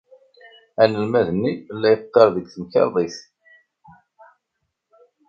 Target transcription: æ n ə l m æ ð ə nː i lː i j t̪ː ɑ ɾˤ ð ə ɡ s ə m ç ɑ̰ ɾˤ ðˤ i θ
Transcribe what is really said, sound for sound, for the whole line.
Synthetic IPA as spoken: æ n ə l m æ ð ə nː i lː æ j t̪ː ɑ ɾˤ ð ə ɡ θ ə m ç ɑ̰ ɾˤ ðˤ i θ